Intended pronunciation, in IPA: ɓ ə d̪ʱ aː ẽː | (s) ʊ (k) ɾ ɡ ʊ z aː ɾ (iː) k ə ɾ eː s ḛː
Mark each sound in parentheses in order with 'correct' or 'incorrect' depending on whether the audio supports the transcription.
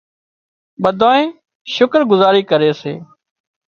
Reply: incorrect: ʃ, correct, correct

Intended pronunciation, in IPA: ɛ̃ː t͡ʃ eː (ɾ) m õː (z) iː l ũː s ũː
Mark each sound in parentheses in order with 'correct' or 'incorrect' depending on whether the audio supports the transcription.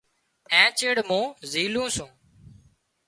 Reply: incorrect: ɽ, correct

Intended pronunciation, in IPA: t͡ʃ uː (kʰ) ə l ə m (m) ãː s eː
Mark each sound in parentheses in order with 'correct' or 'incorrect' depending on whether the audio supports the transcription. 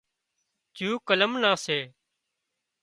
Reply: incorrect: k, incorrect: n

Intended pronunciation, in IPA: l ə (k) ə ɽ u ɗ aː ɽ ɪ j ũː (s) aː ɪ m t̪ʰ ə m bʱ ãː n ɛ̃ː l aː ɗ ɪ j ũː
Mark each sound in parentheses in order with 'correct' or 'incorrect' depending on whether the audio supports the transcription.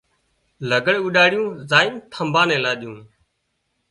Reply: incorrect: ɡ, incorrect: z

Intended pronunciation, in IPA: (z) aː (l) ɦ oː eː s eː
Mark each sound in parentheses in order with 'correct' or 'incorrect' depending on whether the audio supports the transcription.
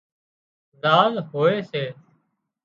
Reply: correct, correct

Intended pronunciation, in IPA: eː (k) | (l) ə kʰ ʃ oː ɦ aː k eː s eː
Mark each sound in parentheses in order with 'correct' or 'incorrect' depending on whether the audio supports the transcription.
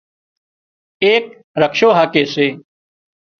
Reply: correct, incorrect: ɾ

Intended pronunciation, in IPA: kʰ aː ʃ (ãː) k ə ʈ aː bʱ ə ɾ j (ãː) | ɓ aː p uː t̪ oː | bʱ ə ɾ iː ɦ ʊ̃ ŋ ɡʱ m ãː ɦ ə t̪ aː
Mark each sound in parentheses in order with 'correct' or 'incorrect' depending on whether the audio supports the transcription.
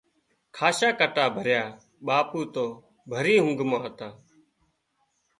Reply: incorrect: aː, incorrect: aː

